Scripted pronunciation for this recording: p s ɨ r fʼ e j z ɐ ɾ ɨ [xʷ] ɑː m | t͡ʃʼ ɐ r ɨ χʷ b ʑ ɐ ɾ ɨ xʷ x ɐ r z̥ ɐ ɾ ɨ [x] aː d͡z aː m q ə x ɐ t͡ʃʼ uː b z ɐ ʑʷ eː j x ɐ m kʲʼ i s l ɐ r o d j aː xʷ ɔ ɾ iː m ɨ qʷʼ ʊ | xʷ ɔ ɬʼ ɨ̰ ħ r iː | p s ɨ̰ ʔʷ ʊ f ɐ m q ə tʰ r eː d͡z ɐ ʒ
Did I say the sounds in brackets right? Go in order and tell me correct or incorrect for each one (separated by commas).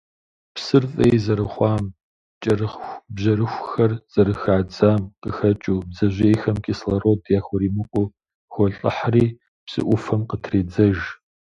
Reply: incorrect, correct